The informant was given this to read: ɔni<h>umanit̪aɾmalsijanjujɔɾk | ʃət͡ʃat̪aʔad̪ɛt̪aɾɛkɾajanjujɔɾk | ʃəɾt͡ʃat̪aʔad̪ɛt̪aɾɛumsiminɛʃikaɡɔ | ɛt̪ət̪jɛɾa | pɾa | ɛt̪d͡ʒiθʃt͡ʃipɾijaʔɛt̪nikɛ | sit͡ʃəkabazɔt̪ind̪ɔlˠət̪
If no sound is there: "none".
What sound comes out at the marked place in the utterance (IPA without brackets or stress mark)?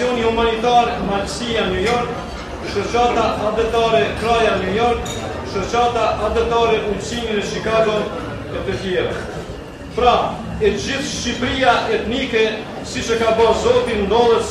h